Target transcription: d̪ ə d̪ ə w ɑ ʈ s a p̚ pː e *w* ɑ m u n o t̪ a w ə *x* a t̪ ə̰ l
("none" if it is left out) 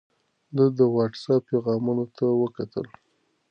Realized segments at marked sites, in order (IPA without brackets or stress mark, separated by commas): ɣ, k